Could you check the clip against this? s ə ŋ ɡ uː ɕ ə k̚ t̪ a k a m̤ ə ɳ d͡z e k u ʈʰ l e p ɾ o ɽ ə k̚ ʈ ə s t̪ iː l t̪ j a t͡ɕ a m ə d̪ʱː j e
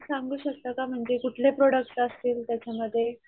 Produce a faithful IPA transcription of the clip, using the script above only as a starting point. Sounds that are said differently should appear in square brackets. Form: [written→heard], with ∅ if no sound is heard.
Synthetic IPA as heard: s [ə→a] ŋ ɡ uː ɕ ə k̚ t̪ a k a m̤ ə ɳ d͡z e k u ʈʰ l e p ɾ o ɽ ə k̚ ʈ ə s t̪ iː l t̪ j a t͡ɕ a m ə d̪ʱː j e